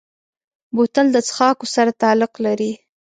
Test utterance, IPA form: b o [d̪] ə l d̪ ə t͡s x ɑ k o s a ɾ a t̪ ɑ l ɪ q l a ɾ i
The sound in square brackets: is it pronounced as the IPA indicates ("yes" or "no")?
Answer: no